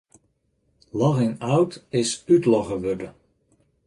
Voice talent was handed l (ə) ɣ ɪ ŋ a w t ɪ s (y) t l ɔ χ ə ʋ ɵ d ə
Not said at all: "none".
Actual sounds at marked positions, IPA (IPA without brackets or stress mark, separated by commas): ɑ, y